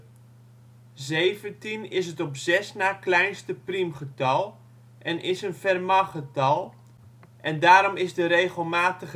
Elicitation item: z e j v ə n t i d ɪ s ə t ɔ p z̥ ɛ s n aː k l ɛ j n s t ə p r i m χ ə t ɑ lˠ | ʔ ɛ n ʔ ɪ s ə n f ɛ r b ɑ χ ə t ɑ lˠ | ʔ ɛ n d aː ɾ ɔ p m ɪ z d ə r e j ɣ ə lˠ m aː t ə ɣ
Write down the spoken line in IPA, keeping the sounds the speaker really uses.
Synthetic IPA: z e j v ə n t i n ɪ s ə t ɔ p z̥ ɛ s n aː k l ɛ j n s t ə p r i m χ ə t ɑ lˠ | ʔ ɛ n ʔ ɪ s ə n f ɛ r m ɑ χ ə t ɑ lˠ | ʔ ɛ n d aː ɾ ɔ m ɪ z d ə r e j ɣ ə lˠ m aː t ə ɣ